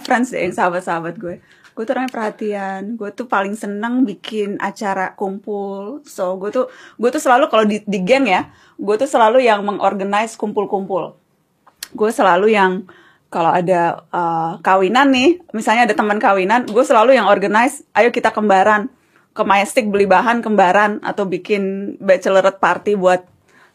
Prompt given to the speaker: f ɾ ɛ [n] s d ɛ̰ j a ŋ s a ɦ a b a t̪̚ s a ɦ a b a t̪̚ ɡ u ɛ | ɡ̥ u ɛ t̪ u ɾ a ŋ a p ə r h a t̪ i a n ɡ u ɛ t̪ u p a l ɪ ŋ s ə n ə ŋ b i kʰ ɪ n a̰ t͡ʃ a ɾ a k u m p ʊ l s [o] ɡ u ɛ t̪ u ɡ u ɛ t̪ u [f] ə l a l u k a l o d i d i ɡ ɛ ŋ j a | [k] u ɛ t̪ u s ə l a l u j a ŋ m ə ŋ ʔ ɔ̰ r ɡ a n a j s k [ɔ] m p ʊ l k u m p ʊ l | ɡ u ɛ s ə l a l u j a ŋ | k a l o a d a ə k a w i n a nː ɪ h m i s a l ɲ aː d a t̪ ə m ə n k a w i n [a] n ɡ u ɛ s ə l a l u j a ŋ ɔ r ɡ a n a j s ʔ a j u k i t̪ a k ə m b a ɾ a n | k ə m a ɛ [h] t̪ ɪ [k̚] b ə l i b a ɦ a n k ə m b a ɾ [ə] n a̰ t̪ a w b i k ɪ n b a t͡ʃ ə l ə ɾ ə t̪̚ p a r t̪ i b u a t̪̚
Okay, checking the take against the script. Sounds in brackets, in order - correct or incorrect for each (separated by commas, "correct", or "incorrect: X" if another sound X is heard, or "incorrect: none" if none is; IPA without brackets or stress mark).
correct, correct, incorrect: s, incorrect: ɡ, incorrect: u, correct, incorrect: s, correct, incorrect: a